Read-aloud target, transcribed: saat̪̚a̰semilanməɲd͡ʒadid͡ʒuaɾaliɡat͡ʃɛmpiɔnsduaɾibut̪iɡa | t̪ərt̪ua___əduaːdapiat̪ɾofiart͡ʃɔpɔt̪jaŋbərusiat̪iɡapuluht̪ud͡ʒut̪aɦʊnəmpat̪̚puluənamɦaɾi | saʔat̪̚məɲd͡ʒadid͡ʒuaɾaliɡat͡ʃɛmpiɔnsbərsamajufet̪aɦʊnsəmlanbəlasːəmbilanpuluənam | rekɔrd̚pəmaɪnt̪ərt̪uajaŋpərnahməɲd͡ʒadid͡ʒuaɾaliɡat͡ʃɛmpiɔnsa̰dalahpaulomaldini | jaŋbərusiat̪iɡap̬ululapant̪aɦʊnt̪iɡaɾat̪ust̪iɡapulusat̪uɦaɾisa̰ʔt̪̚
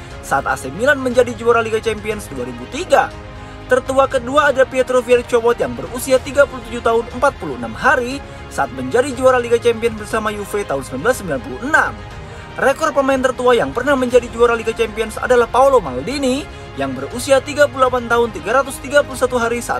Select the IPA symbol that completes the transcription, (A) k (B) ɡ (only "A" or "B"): A